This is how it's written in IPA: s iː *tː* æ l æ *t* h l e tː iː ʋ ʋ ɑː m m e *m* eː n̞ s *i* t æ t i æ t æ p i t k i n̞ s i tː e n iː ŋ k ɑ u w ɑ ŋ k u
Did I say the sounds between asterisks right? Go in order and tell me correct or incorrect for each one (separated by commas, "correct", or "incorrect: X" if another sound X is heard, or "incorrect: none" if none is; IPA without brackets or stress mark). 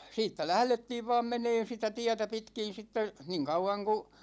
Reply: correct, incorrect: none, incorrect: n, correct